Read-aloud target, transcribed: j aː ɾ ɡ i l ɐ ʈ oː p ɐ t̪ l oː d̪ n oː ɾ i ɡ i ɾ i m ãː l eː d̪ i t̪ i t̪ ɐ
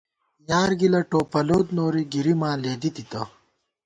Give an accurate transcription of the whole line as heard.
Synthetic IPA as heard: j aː ɾ ɡ i l ɐ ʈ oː p ɐ l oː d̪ n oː ɾ i ɡ i ɾ i m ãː l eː d̪ i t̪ i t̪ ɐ